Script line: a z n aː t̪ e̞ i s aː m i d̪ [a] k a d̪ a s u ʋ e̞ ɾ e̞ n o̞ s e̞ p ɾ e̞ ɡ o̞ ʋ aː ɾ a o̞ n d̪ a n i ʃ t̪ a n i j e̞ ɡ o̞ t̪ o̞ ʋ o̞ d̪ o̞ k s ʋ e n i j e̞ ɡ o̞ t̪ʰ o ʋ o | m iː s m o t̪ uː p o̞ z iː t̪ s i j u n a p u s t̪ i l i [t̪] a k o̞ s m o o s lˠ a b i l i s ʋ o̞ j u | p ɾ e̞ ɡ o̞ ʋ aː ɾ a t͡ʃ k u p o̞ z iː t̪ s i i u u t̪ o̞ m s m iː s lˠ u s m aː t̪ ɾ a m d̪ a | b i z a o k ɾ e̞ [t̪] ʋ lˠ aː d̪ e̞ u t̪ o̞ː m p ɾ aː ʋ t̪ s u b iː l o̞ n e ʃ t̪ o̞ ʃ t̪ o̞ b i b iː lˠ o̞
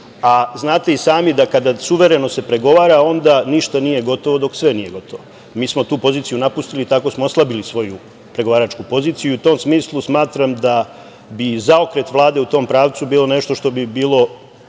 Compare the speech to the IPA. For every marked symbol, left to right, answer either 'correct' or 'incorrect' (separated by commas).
correct, correct, correct